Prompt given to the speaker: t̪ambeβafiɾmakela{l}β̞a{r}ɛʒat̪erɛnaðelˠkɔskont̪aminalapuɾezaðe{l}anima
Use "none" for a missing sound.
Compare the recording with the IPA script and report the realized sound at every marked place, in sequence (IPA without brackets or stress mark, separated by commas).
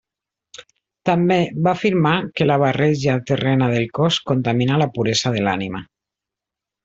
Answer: none, r, l